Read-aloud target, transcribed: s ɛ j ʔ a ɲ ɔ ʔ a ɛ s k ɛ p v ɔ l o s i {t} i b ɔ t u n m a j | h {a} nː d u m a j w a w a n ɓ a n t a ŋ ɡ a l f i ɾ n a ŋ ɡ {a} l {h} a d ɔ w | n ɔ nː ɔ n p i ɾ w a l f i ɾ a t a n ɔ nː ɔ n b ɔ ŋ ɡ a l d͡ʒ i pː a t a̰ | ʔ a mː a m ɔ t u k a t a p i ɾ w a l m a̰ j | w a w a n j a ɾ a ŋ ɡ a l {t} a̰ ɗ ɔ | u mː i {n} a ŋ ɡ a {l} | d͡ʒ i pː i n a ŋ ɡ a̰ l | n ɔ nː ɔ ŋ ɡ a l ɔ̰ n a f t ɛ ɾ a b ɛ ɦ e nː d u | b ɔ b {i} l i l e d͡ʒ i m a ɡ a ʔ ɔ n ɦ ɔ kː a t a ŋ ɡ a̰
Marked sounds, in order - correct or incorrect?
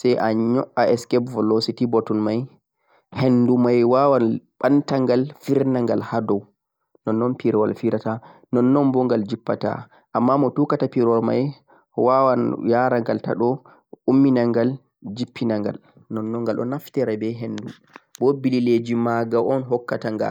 correct, incorrect, correct, correct, correct, correct, correct, correct

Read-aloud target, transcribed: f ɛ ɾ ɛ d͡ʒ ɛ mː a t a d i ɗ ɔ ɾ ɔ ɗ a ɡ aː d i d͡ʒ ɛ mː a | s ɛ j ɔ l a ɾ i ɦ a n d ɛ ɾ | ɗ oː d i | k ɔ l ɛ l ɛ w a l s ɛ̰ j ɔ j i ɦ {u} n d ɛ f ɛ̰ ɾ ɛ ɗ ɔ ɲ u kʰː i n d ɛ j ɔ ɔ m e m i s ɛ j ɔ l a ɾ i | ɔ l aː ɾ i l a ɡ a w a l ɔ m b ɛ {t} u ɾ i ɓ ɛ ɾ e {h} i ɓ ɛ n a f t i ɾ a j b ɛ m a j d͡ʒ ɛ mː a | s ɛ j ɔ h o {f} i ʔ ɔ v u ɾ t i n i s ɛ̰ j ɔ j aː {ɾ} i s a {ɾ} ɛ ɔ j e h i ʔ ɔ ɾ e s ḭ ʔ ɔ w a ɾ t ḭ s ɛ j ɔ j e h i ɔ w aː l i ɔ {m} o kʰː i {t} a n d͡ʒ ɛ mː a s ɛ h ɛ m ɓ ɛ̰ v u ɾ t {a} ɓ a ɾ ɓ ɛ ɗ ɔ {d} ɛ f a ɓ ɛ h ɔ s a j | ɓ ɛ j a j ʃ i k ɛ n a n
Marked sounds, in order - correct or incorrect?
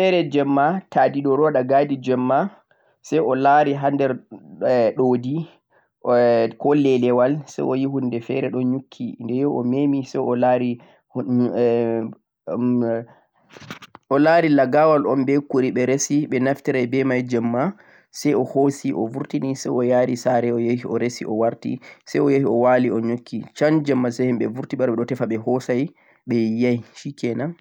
correct, incorrect, incorrect, incorrect, correct, correct, incorrect, incorrect, incorrect, incorrect

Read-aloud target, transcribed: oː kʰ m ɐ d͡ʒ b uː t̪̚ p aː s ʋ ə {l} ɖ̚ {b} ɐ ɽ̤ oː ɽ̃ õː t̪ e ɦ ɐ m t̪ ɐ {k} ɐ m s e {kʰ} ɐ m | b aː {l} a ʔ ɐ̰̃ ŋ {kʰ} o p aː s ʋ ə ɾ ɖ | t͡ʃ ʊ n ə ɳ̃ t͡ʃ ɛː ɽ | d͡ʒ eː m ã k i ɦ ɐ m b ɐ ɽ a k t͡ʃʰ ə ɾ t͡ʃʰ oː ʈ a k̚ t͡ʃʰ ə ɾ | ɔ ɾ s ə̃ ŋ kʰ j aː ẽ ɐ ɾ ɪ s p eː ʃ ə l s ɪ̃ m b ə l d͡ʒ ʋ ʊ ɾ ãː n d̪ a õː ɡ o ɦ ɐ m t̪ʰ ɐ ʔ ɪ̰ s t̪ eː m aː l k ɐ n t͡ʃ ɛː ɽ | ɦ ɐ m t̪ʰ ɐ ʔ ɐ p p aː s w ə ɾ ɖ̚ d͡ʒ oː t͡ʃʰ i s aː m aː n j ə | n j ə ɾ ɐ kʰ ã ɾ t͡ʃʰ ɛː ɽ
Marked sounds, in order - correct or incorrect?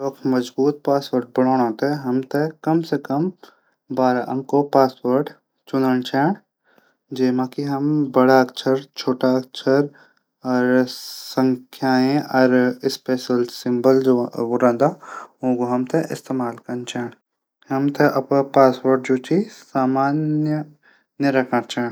incorrect, correct, correct, incorrect, incorrect, incorrect

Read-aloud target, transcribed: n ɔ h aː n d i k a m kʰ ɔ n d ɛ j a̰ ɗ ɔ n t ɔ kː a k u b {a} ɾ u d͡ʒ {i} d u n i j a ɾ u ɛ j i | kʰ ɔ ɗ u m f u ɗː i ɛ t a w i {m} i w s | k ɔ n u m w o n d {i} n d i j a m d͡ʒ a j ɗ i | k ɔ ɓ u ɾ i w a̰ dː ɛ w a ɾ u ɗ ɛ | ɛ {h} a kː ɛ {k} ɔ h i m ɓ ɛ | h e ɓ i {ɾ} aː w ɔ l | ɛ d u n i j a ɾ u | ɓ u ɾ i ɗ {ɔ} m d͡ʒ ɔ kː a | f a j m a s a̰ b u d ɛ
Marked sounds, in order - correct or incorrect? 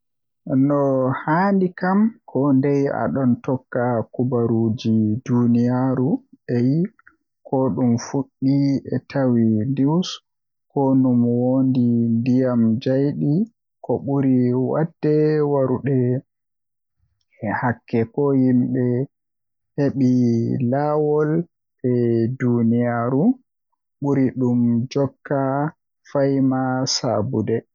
correct, correct, incorrect, correct, correct, correct, incorrect, incorrect

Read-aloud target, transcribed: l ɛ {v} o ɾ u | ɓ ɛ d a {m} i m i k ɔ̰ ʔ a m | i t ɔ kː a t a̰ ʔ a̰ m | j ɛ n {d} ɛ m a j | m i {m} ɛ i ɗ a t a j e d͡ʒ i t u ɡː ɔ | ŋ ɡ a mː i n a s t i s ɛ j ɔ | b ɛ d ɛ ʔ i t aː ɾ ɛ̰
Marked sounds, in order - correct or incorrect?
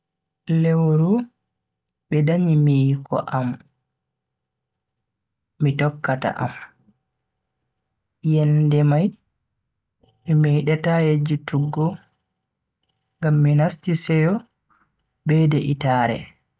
incorrect, incorrect, correct, correct

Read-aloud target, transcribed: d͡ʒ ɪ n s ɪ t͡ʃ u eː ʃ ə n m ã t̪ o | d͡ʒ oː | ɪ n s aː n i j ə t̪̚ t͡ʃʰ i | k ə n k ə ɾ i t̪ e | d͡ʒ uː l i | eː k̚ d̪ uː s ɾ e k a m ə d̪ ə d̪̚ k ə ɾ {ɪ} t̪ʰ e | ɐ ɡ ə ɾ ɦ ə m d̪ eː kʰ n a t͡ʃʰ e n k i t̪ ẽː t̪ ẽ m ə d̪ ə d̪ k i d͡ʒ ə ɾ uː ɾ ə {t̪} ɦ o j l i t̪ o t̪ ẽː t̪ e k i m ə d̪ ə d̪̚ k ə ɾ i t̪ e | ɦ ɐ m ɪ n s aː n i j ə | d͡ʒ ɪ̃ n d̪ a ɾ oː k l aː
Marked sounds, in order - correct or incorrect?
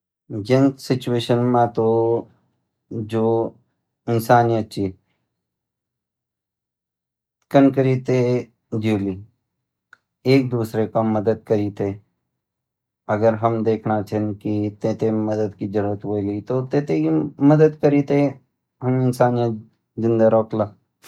incorrect, correct

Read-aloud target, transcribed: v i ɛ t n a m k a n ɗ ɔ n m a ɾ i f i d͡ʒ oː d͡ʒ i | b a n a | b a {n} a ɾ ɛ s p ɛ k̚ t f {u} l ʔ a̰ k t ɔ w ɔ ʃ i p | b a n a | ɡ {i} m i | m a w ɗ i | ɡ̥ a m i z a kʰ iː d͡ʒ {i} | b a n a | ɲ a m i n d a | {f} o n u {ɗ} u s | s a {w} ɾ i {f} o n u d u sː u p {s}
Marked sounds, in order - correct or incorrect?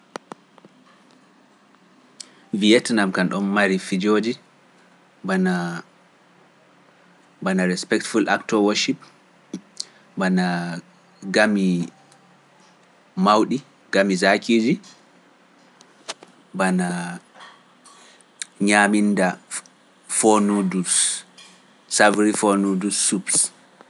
correct, correct, incorrect, correct, correct, incorrect, incorrect, correct, correct

